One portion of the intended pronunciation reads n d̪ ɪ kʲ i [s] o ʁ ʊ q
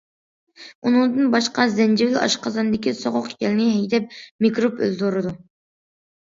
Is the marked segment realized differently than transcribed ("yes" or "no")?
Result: no